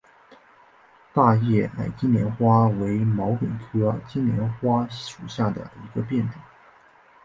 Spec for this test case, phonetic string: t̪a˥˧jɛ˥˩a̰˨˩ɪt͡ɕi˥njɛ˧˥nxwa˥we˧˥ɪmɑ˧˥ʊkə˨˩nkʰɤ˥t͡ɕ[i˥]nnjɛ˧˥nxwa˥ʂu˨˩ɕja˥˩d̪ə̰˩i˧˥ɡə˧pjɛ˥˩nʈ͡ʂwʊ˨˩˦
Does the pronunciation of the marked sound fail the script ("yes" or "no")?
no